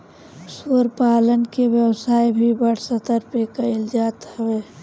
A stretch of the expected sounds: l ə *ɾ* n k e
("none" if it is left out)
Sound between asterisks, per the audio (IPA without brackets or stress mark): none